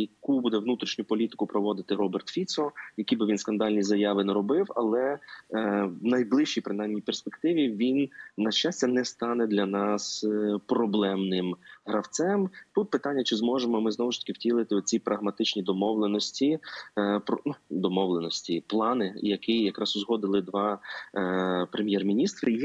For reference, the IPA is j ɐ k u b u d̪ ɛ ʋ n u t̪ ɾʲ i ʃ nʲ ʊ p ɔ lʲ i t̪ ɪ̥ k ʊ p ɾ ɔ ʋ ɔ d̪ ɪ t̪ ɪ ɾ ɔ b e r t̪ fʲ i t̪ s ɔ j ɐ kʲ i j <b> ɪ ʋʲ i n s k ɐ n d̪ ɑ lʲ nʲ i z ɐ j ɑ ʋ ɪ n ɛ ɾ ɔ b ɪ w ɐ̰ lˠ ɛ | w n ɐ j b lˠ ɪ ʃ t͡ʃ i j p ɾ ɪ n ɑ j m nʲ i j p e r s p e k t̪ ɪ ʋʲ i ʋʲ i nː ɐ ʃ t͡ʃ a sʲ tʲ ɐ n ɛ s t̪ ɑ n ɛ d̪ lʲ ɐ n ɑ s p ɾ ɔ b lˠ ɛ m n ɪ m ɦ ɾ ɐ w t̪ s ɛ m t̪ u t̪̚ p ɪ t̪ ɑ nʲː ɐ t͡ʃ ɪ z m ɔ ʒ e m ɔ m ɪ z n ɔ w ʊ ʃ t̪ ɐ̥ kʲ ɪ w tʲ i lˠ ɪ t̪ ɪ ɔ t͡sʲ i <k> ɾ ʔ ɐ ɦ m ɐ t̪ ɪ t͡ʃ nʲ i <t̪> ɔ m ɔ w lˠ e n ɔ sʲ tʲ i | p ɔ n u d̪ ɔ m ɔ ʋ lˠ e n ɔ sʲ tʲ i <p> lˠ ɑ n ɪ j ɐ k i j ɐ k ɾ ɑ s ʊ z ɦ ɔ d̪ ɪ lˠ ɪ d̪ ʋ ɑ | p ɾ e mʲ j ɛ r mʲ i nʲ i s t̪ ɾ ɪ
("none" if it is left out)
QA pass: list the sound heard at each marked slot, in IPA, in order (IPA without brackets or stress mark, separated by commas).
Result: b, p, d̪, p